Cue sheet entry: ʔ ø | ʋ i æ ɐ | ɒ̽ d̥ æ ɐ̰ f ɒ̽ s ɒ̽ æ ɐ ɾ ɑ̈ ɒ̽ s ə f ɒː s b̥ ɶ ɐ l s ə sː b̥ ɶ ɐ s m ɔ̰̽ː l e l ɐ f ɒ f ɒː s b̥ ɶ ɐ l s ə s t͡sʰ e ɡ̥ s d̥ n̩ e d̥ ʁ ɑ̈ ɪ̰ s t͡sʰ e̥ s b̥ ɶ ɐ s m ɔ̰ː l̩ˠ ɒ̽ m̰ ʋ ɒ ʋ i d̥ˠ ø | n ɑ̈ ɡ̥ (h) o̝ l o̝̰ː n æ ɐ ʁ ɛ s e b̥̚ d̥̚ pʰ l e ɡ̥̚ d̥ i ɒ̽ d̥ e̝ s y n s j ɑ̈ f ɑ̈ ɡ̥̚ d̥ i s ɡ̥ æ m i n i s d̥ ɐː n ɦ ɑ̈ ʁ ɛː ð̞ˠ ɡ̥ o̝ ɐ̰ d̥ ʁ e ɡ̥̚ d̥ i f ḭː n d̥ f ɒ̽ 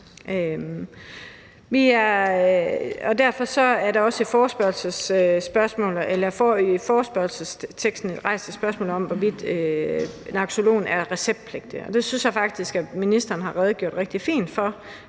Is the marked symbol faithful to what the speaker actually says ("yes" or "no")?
no